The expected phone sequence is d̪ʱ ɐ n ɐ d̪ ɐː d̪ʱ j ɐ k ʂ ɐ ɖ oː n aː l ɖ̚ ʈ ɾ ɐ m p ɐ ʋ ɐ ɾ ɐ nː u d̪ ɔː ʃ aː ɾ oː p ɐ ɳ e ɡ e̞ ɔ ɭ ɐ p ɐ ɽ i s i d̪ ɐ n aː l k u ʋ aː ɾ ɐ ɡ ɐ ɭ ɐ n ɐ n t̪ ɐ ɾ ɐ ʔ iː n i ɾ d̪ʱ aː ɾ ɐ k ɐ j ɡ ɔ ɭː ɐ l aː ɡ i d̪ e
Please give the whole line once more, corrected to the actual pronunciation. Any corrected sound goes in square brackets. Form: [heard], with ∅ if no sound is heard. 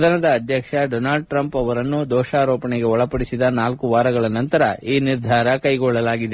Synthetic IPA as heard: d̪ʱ ɐ n ɐ d̪ ɐː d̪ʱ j ɐ k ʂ ɐ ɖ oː n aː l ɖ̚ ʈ ɾ ɐ m p ɐ ʋ ɐ ɾ ɐ nː u d̪ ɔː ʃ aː ɾ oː p ɐ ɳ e ɡ e̞ ɔ ɭ ɐ p ɐ ɽ i s i d̪ ɐ n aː l k u ʋ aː ɾ ɐ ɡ ɐ ɭ ɐ n ɐ n t̪ ɐ ɾ ɐ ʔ iː n i ɾ d̪ʱ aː ɾ ɐ k ɐ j ɡ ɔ ɭː ɐ l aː ɡ i d̪ e